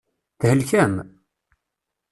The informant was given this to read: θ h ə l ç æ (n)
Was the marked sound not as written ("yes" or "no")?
yes